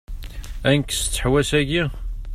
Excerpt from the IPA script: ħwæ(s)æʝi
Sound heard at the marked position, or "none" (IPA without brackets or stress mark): s